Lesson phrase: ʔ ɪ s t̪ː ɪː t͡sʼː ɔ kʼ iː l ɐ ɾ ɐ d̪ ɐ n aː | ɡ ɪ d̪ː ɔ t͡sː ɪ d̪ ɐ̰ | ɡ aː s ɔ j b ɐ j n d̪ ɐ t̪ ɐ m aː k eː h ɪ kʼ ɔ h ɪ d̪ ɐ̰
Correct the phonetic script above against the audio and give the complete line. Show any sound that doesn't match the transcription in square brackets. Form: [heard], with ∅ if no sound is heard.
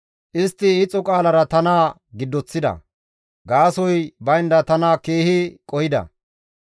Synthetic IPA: ʔ ɪ s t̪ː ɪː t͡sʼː ɔ kʼ [aː] l ɐ ɾ ɐ [t̪] ɐ n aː | ɡ ɪ d̪ː ɔ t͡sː ɪ d̪ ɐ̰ | ɡ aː s ɔ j b ɐ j n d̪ ɐ t̪ ɐ [n] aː k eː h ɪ kʼ ɔ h ɪ d̪ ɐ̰

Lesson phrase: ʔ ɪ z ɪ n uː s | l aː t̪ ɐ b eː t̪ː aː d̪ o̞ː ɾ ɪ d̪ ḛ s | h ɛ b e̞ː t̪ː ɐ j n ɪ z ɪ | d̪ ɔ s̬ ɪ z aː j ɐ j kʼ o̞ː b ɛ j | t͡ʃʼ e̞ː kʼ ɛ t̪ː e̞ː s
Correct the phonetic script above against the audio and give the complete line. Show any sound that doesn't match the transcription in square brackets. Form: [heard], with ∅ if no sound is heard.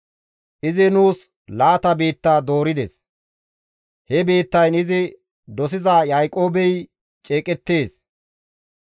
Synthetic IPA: ʔ ɪ z ɪ n uː s | l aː t̪ ɐ b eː t̪ː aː d̪ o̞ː ɾ ɪ d̪ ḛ s | h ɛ b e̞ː t̪ː ɐ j n ɪ z ɪ | d̪ ɔ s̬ ɪ z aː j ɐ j kʼ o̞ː b ɛ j | t͡ʃʼ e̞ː kʼ ɛ t̪ː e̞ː s

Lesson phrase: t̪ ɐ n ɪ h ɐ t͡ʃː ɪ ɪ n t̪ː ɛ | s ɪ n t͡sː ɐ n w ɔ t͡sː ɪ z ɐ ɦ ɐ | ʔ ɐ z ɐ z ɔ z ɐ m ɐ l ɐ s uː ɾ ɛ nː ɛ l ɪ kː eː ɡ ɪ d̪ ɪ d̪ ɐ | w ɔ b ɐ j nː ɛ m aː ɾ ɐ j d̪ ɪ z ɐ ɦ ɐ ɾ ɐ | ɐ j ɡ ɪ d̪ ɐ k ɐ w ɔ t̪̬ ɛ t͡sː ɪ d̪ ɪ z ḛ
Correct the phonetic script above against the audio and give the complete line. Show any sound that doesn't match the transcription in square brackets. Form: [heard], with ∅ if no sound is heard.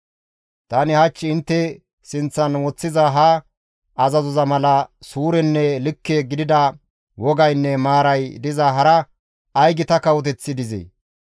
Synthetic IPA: t̪ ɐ n ɪ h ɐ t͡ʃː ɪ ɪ n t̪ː ɛ | s ɪ n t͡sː ɐ n w ɔ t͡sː ɪ z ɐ ɦ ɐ | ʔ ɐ z ɐ z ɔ z ɐ m ɐ l ɐ s uː ɾ ɛ nː ɛ l ɪ kː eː ɡ ɪ d̪ ɪ d̪ ɐ | w ɔ [ɡ] ɐ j nː ɛ m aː ɾ ɐ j d̪ ɪ z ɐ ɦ ɐ ɾ ɐ | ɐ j ɡ ɪ [t̪] ɐ k ɐ w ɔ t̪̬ ɛ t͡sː ɪ d̪ ɪ z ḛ

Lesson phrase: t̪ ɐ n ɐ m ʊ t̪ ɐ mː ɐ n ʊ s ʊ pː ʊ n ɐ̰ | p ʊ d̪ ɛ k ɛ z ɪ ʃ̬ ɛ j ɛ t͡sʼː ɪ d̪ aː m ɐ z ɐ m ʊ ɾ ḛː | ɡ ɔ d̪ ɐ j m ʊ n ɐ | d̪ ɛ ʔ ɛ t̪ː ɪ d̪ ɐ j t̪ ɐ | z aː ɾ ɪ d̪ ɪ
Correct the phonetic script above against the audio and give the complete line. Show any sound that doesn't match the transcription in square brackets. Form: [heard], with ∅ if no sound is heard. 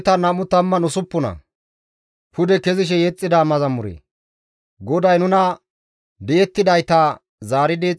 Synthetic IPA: t̪ ɐ n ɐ m ʊ t̪ ɐ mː ɐ n ʊ s ʊ pː ʊ n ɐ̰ | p ʊ d̪ ɛ k ɛ z ɪ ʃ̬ ɛ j ɛ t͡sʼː ɪ d̪ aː m ɐ z ɐ m ʊ ɾ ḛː | ɡ ɔ d̪ ɐ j [n] ʊ n ɐ | d̪ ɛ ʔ ɛ t̪ː ɪ d̪ ɐ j t̪ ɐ | z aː ɾ ɪ d̪ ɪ

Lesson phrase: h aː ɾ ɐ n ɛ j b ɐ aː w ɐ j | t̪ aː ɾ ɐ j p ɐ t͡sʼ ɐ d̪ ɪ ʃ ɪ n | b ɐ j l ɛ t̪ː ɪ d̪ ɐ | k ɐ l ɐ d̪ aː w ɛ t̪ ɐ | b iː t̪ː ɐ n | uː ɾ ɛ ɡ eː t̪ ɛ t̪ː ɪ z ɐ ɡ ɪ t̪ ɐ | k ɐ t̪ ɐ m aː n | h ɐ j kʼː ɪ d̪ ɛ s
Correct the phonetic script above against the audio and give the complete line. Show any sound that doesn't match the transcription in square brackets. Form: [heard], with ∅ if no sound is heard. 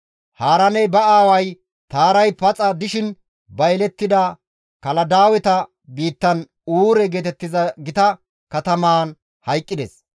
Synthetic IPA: h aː ɾ ɐ n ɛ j b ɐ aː w ɐ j | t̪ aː ɾ ɐ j p ɐ t͡sʼ ɐ d̪ ɪ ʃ ɪ n | b ɐ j l ɛ t̪ː ɪ d̪ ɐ | k ɐ l ɐ d̪ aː w ɛ t̪ ɐ | b iː t̪ː ɐ n | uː ɾ ɛ ɡ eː t̪ ɛ t̪ː ɪ z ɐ ɡ ɪ t̪ ɐ | k ɐ t̪ ɐ m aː n | h ɐ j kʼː ɪ d̪ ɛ s

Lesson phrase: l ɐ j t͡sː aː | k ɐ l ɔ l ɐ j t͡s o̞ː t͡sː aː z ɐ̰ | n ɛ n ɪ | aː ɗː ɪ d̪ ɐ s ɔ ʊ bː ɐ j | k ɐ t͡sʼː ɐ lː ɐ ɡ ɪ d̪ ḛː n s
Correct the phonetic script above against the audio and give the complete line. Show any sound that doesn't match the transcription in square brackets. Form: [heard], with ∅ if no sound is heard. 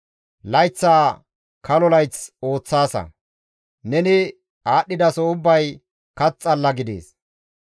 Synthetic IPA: l ɐ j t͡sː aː | k ɐ l ɔ l ɐ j t͡s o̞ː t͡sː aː [s] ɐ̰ | n ɛ n ɪ | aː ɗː ɪ d̪ ɐ s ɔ ʊ bː ɐ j | k ɐ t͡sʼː ɐ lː ɐ ɡ ɪ d̪ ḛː [∅] s

